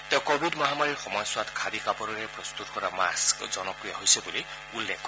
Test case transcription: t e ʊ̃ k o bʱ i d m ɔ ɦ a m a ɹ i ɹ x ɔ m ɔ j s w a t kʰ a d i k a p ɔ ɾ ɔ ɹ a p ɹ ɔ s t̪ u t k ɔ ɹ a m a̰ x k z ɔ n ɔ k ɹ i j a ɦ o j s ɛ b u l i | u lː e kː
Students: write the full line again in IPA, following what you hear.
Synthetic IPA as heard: t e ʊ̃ k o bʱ i d m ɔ ɦ a m a ɹ i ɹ x ɔ m ɔ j s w a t kʰ a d i k a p ɔ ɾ ɔ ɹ ɛ p ɹ ɔ s t̪ u t k ɔ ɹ a m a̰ s k z ɔ n ɔ k ɹ i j a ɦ o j s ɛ b u l i | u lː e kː

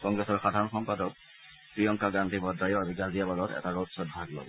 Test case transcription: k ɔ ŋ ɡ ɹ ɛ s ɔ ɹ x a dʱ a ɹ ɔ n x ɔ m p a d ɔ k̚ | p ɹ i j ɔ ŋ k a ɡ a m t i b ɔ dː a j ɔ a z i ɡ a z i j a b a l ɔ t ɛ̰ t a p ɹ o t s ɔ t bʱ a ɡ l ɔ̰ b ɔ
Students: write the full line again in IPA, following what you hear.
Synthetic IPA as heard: k ɔ ŋ ɡ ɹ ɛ s ɔ ɹ x a dʱ a ɹ ɔ n x ɔ m p a d ɔ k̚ | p ɹ i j ɔ ŋ k a ɡ a n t i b ɔ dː a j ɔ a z i ɡ a z i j a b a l ɔ t ɛ̰ t a ɹ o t s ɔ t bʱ a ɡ l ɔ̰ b ɔ

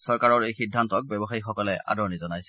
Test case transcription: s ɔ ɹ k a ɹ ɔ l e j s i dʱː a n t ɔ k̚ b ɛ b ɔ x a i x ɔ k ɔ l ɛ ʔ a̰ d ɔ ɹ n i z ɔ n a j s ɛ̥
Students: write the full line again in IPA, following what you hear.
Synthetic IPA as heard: s ɔ ɹ k a ɹ ɔ ɹ e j x i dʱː a n t ɔ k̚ b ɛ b ɔ x a i x ɔ k ɔ l ɛ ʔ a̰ d ɔ ɹ n i z ɔ n a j s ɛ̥

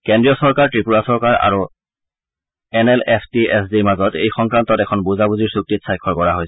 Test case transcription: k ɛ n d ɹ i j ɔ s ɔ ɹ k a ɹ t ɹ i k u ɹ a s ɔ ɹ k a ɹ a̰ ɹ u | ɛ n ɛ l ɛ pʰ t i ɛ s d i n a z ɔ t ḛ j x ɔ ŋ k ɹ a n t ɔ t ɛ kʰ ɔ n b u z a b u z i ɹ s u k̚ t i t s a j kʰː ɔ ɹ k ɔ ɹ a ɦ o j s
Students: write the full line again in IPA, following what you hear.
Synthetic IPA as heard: k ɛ n d ɹ i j ɔ s ɔ ɹ k a ɹ t ɹ i p u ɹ a s ɔ ɹ k a ɹ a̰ ɹ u | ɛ n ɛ l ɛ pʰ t i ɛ s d i m a z ɔ t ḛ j x ɔ ŋ k ɹ a n t ɔ t ɛ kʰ ɔ n b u z a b u z i ɹ s u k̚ t i t s a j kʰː ɔ ɹ k ɔ ɹ a ɦ o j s

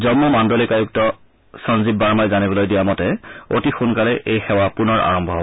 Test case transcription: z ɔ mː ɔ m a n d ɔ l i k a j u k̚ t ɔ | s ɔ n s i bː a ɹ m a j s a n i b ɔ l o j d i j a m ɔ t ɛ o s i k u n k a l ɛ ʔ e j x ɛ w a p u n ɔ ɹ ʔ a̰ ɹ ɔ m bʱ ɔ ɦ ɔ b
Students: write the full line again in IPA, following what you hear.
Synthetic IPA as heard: z ɔ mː ɔ m a n d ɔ l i k a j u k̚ t ɔ | s ɔ n z i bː a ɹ m a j z a n i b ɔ l o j d i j a m ɔ t ɛ o t i x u n k a l ɛ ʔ e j x ɛ w a p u n ɔ ɹ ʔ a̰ ɹ ɔ m bʱ ɔ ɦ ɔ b

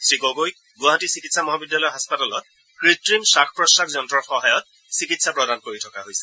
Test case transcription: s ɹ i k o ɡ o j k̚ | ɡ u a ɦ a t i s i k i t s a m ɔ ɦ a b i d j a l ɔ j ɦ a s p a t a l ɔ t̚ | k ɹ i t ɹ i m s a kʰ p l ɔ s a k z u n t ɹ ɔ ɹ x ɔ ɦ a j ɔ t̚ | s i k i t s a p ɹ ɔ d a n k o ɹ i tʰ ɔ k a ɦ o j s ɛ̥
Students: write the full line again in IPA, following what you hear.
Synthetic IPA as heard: s ɹ i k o ɡ o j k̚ | ɡ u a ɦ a t i s i k i t s a m ɔ ɦ a b i d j a l ɔ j ɦ a s p a t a l ɔ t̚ | k ɹ i t ɹ i m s a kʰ p ɹ ɔ s a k z ɔ n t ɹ ɔ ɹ x ɔ ɦ a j ɔ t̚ | s i k i t s a p ɹ ɔ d a n k o ɹ i tʰ ɔ k a ɦ o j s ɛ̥

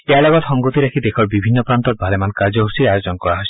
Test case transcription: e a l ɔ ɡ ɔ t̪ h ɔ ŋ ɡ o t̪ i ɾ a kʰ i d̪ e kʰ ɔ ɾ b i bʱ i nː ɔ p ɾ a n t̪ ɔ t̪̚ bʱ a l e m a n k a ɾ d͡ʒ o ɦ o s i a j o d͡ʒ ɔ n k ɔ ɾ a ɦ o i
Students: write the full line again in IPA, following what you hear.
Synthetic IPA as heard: e a l ɔ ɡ ɔ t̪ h ɔ ŋ ɡ o t̪ i ɾ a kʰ i d̪ e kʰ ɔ ɾ b i bʱ i nː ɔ p ɾ a n t̪ ɔ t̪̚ bʱ a l e m a n k a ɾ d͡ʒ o ɦ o s i a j o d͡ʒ ɔ n k ɔ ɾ a ɦ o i

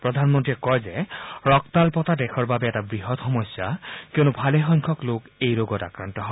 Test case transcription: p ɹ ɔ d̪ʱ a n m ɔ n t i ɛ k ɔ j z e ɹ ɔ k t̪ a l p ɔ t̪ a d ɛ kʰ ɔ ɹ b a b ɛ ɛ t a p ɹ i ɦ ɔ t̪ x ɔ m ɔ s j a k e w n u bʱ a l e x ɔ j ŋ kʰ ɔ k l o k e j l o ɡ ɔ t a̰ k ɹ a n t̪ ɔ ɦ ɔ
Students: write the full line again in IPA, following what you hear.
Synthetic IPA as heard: p ɹ ɔ d̪ʱ a n m ɔ n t i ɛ k ɔ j z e ɹ ɔ k t̪ a l p ɔ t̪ a d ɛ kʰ ɔ ɹ b a b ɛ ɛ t a b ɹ i ɦ ɔ t̪ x ɔ m ɔ s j a k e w n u bʱ a l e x ɔ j ŋ kʰ ɔ k l o k e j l o ɡ ɔ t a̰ k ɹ a n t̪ ɔ ɦ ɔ

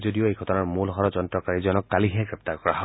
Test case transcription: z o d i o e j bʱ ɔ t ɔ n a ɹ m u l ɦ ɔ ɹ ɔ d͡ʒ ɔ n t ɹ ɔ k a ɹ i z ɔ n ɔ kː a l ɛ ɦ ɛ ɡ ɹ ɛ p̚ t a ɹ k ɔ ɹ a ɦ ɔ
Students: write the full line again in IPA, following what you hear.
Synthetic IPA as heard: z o d i o e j ɡʱ ɔ t ɔ n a ɹ m u l ɦ ɔ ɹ ɔ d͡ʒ ɔ n t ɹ ɔ k a ɹ i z ɔ n ɔ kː a l i ɦ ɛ ɡ ɹ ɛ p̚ t a ɹ k ɔ ɹ a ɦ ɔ

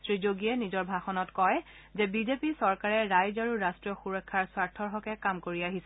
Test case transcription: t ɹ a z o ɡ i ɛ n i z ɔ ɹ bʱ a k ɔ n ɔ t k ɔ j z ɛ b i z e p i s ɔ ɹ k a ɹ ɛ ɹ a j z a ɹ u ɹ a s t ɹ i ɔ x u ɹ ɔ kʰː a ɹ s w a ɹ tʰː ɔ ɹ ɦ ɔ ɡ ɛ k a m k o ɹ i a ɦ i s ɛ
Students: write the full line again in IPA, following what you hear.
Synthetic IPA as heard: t ɹ i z o ɡ i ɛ n i z ɔ ɹ bʱ a x ɔ n ɔ t k ɔ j z ɛ b i z e p i s ɔ ɹ k a ɹ ɛ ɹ a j z a ɹ u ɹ a s t ɹ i ɔ x u ɹ ɔ kʰː a ɹ s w a ɹ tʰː ɔ ɹ ɦ ɔ k ɛ k a m k o ɹ i a ɦ i s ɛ

